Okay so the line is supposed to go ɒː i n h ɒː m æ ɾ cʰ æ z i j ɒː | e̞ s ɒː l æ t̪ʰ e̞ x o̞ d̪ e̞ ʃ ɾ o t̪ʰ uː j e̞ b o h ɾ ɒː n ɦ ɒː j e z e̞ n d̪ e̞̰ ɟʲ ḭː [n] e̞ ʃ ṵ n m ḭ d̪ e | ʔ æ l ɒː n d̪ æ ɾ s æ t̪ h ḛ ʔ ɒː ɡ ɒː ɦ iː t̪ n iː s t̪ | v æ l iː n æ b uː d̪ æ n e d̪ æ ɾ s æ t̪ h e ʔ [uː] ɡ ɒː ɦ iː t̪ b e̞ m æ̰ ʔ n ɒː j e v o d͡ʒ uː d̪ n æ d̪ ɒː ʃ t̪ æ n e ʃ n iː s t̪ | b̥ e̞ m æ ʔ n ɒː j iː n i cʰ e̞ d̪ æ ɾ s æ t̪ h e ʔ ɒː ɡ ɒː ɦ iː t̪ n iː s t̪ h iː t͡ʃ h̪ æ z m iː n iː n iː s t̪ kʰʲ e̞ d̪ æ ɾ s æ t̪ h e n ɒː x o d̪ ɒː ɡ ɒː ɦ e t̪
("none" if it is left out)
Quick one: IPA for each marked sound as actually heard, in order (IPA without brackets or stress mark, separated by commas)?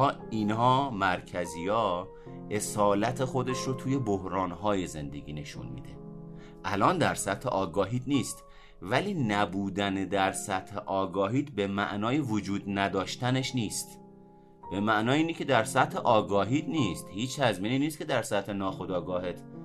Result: n, ɒː